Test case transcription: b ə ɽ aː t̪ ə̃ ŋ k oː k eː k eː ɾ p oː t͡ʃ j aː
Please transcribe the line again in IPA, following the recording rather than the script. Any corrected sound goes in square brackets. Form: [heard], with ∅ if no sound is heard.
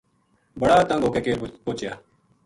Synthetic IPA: b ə ɽ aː t̪ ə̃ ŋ [ɡ] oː k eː k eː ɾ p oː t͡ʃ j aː